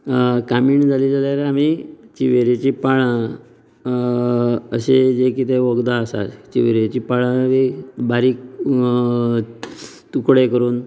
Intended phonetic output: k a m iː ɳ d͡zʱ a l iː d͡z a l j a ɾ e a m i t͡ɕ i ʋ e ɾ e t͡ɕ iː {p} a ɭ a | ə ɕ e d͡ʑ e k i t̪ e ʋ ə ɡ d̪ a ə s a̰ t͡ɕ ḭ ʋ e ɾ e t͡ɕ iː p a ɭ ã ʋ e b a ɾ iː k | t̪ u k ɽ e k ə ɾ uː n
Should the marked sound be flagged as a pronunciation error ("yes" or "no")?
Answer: no